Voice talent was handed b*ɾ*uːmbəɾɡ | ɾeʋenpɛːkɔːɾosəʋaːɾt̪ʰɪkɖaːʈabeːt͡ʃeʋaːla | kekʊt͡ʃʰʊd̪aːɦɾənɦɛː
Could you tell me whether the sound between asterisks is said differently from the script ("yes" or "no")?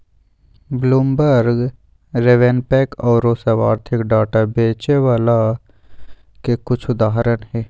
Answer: yes